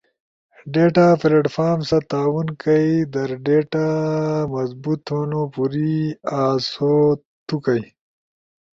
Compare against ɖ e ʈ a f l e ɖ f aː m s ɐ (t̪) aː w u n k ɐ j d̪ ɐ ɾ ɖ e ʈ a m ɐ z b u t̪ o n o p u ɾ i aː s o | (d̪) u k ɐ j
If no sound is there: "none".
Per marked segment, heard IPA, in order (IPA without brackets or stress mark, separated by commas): t̪, t̪